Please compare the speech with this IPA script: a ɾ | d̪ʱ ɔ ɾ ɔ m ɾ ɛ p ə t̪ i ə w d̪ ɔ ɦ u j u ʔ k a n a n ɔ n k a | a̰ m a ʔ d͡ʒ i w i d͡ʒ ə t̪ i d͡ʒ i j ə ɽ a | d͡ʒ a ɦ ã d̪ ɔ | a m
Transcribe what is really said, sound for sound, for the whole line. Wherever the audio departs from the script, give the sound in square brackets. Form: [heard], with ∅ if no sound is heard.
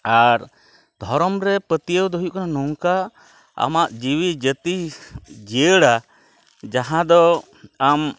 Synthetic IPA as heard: a ɾ | d̪ʱ ɔ ɾ ɔ m ɾ ɛ p ə t̪ i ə w d̪ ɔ ɦ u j u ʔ k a n a n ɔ [ŋ] k a | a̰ m a ʔ d͡ʒ i w i d͡ʒ ə t̪ i d͡ʒ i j ə ɽ a | d͡ʒ a ɦ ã d̪ ɔ | a m